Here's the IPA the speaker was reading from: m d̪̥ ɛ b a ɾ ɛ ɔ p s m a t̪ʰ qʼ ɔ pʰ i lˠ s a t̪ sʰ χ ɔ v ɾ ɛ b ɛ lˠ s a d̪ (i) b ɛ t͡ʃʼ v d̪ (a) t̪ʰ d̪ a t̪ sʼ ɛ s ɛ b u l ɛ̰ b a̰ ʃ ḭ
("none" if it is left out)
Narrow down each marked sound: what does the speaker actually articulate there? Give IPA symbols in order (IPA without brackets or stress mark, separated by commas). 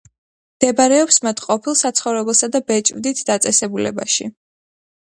a, i